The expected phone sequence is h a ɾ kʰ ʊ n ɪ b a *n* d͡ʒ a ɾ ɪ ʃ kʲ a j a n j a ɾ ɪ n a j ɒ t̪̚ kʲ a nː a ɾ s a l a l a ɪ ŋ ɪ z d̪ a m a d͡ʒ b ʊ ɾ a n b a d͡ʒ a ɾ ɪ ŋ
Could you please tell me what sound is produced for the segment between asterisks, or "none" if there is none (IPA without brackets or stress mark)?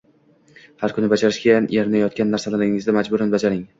none